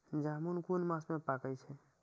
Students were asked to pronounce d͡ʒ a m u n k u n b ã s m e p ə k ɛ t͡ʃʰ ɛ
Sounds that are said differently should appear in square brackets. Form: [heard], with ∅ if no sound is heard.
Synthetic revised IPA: d͡ʒ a m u n k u n [m] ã s m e p [a] k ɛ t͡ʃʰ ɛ